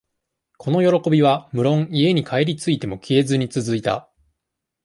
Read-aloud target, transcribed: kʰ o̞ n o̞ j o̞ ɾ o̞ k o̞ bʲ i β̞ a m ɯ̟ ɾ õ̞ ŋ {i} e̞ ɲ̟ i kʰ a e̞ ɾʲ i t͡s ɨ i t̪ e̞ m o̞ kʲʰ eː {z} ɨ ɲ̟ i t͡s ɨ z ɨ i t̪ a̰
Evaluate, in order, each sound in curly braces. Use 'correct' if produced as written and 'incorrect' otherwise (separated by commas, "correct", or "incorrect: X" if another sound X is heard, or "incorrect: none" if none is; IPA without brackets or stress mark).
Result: correct, correct